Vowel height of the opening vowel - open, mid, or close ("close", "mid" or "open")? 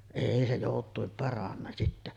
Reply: mid